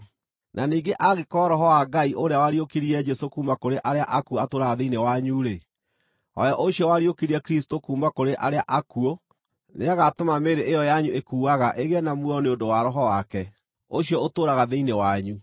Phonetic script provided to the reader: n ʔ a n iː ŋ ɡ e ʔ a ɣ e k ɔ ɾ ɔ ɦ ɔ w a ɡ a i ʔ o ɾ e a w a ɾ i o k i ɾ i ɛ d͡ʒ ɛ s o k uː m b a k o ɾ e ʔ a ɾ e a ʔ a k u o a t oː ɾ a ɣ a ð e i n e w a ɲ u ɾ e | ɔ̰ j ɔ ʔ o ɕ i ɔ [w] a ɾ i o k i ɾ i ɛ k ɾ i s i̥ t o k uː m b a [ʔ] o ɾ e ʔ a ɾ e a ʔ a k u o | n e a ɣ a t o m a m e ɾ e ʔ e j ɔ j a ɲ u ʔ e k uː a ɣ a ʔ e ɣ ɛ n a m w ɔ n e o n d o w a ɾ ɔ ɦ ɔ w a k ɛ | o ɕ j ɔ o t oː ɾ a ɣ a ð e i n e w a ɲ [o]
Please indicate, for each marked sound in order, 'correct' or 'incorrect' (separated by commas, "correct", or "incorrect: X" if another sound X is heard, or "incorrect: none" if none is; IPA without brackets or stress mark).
correct, incorrect: k, incorrect: u